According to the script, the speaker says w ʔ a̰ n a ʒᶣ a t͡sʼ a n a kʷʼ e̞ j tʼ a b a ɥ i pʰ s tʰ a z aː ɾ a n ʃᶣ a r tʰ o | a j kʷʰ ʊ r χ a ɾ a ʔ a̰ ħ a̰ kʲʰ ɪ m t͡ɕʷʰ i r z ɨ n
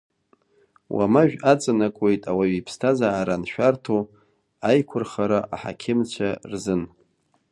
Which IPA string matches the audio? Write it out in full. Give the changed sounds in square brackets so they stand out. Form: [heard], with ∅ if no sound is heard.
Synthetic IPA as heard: w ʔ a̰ [m] a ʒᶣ a t͡sʼ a n a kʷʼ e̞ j tʼ a [w] a ɥ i pʰ s tʰ a z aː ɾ a n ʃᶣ a r tʰ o | a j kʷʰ ʊ r χ a ɾ a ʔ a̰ ħ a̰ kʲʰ ɪ m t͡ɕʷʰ [a] r z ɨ n